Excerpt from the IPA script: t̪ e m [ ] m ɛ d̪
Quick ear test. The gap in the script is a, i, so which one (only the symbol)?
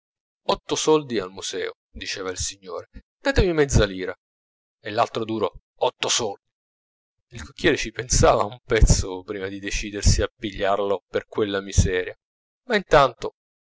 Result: i